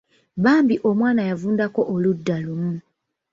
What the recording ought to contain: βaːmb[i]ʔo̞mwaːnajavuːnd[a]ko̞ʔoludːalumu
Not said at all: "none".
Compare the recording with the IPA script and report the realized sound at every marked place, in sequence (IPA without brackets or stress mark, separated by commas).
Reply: i, a